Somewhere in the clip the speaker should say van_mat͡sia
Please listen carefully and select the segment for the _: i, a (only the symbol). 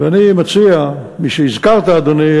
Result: i